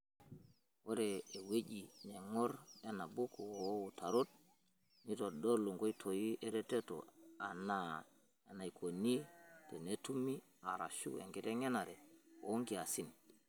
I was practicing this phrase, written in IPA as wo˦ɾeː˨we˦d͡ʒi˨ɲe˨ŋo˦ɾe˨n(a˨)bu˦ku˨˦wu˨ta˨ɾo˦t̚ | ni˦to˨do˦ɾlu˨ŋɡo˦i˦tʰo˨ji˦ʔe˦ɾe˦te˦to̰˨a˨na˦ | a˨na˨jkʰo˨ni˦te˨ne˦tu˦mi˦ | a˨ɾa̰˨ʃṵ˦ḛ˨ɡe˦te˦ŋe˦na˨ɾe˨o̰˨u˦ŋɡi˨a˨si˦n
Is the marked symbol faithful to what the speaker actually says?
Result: yes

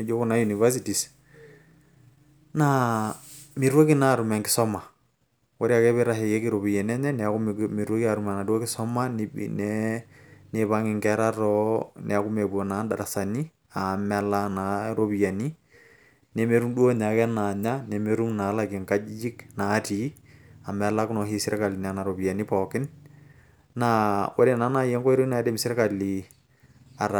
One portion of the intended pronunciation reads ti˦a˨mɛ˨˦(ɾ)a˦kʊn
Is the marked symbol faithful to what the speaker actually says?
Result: no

